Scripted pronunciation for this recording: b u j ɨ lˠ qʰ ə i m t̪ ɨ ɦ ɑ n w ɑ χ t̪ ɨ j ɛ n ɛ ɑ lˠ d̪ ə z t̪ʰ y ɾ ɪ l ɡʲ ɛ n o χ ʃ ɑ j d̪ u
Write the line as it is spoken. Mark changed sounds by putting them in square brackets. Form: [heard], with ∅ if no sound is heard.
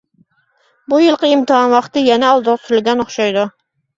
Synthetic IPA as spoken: b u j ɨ lˠ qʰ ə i m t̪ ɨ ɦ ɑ n w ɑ χ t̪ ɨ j ɛ n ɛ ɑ lˠ d̪ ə [ʁ] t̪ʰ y ɾ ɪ l ɡʲ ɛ n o χ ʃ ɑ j d̪ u